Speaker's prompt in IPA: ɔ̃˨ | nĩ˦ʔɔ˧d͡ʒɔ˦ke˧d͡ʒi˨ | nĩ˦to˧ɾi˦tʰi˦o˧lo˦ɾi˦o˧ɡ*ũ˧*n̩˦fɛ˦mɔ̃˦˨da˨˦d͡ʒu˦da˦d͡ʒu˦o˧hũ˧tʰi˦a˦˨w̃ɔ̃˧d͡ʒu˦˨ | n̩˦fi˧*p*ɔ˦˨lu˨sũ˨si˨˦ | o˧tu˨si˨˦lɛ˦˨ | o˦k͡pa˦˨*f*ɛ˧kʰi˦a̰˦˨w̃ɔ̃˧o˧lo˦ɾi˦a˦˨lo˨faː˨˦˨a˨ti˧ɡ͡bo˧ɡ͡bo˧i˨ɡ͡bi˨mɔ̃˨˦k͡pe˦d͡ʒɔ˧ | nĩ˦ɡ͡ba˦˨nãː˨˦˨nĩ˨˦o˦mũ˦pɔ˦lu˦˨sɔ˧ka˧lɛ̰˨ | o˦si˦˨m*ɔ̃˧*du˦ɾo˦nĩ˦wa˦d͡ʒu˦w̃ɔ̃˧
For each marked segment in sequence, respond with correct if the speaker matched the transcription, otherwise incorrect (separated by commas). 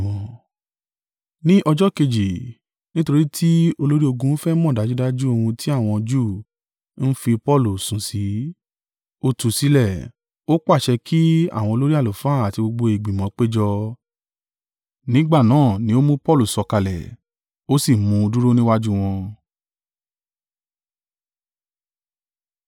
correct, correct, incorrect, incorrect